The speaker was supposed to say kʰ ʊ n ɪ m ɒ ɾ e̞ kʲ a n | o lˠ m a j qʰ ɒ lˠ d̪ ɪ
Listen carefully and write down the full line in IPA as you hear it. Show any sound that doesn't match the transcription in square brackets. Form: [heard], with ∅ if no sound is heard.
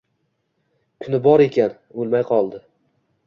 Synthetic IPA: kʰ ʊ n ɪ [b] ɒ ɾ e̞ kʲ a n | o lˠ m a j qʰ ɒ lˠ d̪ ɪ

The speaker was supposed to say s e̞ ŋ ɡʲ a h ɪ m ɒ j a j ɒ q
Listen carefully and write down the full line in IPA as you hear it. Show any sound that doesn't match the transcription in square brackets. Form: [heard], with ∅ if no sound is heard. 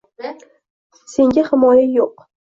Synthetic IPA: s e̞ ŋ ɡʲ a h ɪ m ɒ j a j [o] q

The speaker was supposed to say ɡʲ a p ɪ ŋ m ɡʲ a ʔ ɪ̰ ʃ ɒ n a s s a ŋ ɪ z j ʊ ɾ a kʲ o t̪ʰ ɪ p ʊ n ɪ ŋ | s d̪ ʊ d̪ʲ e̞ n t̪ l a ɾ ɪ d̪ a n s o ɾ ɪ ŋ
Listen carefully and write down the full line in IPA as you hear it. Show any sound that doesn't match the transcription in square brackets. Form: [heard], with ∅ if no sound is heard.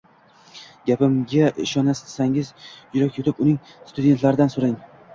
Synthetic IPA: ɡʲ a p ɪ [∅] m ɡʲ a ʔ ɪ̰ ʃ ɒ n a s s a ŋ ɪ z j ʊ ɾ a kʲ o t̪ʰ ɪ p ʊ n ɪ ŋ | s [t̪] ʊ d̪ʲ e̞ n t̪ l a ɾ ɪ d̪ a n s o ɾ ɪ ŋ

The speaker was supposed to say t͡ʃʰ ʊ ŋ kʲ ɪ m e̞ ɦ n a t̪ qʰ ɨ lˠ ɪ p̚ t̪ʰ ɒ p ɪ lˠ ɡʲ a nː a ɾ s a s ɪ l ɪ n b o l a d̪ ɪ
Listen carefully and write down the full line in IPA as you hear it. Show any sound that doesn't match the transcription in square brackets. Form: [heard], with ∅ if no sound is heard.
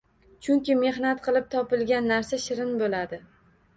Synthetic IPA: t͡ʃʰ ʊ ŋ kʲ ɪ m e̞ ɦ n a t̪ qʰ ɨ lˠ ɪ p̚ t̪ʰ ɒ p ɪ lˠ ɡʲ a nː a ɾ s a [ʃ] ɪ [ɾ] ɪ n b o l a d̪ ɪ

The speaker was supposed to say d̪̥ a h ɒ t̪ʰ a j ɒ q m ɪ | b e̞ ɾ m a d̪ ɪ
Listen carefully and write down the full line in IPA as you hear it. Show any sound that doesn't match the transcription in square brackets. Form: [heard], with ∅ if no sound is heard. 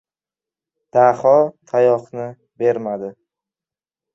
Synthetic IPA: d̪̥ a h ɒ t̪ʰ a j ɒ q [n] ɪ | b e̞ ɾ m a d̪ ɪ

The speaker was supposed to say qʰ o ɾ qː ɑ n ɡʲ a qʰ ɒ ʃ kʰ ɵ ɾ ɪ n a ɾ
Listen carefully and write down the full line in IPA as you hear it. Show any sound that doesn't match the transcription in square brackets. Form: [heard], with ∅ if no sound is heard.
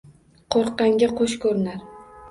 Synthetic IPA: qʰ o ɾ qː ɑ [ŋ] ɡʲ a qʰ [o] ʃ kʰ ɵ ɾ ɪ n a ɾ

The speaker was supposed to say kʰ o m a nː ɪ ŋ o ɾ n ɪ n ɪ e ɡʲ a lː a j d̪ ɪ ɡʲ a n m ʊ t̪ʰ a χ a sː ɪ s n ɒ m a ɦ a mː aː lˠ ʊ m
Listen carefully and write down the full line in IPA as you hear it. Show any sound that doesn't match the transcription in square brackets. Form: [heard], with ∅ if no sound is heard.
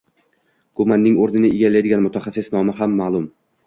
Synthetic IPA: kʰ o m a nː ɪ ŋ o ɾ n ɪ n ɪ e ɡʲ a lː a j d̪ ɪ ɡʲ a n m ʊ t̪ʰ a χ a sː ɪ s n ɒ m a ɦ a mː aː lˠ ʊ m

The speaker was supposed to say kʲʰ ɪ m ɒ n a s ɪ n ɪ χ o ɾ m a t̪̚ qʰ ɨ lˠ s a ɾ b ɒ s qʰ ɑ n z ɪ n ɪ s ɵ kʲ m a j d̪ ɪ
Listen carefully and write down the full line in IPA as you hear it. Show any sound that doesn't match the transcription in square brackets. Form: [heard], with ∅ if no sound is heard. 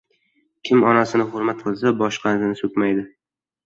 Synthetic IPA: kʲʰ ɪ m ɒ n a s ɪ n ɪ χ o ɾ m a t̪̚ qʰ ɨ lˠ s a [∅] b ɒ [ʃ] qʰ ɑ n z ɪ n ɪ s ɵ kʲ m a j d̪ ɪ

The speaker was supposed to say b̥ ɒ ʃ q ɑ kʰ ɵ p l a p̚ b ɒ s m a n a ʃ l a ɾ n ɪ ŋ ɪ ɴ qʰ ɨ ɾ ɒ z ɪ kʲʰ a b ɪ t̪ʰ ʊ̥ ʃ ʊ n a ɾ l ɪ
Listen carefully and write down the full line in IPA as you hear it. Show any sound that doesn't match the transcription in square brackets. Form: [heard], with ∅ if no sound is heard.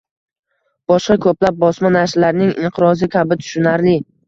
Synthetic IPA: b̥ ɒ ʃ q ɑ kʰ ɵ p l a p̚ b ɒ s m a n a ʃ l a ɾ n ɪ ŋ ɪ ɴ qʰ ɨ ɾ ɒ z ɪ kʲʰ a b ɪ t̪ʰ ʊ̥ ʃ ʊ n a ɾ l ɪ

